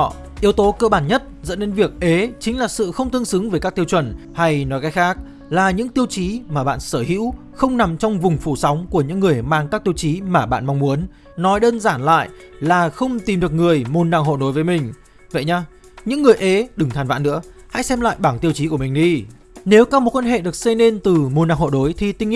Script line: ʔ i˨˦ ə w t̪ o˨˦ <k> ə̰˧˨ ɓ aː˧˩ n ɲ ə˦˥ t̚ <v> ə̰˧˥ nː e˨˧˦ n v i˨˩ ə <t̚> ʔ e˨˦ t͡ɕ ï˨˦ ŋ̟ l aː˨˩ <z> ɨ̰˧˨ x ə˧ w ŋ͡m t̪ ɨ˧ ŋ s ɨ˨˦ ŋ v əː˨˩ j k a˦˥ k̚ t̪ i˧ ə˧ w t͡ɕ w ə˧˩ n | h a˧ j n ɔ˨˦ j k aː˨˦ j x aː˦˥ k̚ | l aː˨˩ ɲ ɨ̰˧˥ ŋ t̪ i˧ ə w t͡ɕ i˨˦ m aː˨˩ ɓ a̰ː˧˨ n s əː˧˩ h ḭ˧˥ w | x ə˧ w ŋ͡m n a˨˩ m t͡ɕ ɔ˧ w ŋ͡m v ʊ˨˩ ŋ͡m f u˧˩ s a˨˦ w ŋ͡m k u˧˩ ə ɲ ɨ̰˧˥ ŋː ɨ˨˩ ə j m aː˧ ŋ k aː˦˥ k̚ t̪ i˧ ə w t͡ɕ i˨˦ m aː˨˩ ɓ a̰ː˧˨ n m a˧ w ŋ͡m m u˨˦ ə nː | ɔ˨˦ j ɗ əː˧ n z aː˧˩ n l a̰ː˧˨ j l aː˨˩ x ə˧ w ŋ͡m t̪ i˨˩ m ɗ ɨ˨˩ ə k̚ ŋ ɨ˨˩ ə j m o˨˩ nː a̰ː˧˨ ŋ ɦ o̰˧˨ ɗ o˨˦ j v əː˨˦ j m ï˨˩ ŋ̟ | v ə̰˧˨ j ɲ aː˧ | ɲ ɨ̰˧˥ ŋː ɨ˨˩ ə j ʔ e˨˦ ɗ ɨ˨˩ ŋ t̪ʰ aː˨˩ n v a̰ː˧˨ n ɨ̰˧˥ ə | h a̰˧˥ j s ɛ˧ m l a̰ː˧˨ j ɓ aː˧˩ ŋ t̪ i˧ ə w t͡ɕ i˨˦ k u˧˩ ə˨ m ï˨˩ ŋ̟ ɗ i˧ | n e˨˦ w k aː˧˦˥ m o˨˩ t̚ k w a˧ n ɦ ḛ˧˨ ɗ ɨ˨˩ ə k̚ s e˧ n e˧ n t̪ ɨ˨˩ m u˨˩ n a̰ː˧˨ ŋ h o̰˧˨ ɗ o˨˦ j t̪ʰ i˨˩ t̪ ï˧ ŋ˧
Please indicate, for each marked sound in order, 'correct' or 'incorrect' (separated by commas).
correct, incorrect, incorrect, incorrect